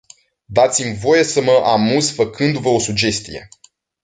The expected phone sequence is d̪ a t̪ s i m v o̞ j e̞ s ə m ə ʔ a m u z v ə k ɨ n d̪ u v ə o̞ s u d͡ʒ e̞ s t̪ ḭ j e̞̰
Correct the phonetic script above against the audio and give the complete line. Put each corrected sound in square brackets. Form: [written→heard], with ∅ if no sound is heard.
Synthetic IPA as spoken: d̪ a t̪ s i m v o̞ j e̞ s ə m ə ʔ a m u z [v→f] ə k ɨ n d̪ u v ə o̞ s u d͡ʒ e̞ s t̪ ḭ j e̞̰